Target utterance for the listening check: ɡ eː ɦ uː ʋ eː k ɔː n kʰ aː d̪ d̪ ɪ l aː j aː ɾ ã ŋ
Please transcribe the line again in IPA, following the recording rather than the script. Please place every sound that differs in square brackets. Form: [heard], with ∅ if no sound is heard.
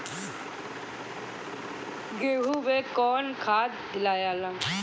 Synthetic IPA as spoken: ɡ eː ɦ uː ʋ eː k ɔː n kʰ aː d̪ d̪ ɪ l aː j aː [l] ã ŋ